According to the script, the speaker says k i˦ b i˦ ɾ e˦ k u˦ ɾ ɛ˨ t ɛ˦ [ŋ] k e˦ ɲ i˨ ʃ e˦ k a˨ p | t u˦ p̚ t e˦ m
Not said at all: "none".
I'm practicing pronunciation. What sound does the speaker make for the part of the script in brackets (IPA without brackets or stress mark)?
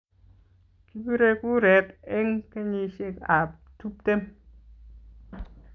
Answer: ŋ